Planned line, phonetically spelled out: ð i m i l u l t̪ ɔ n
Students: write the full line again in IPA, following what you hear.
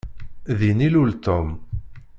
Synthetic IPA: ð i n i l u l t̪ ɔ m